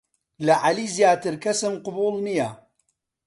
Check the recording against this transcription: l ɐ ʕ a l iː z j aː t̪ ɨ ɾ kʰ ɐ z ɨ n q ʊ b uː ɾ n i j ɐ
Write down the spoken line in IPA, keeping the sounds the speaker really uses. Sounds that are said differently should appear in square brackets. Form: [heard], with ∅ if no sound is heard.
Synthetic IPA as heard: l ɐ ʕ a l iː z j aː t̪ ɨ ɾ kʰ ɐ [s] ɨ [m] q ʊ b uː [l] n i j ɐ